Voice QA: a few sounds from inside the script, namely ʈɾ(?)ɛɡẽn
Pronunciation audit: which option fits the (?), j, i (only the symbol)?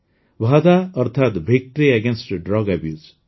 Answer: i